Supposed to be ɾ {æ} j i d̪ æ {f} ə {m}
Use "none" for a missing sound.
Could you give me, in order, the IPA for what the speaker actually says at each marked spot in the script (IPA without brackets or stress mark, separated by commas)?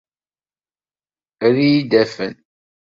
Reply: i, f, n